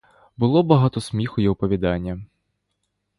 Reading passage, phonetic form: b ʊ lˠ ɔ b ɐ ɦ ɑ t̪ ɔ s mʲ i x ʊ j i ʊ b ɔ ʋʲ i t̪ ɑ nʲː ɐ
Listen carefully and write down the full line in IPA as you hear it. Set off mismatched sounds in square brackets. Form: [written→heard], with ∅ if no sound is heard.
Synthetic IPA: b ʊ lˠ ɔ b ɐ ɦ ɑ t̪ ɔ s mʲ i x ʊ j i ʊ [b→p] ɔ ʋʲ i [t̪→d̪] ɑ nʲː ɐ